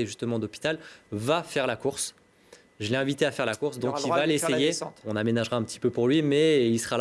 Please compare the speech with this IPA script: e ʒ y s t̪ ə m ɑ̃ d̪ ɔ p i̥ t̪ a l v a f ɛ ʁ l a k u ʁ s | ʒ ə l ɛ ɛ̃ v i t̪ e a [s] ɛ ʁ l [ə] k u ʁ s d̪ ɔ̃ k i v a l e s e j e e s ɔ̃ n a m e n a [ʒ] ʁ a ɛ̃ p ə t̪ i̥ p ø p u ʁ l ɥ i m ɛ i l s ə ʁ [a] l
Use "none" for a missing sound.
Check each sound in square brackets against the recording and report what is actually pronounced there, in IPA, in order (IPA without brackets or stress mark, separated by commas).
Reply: f, a, ʒ, a